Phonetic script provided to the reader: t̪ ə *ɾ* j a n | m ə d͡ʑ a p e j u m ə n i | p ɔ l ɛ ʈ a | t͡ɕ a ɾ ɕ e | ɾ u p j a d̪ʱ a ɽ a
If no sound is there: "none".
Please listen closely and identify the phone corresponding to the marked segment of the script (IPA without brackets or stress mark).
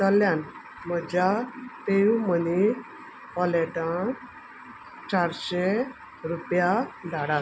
l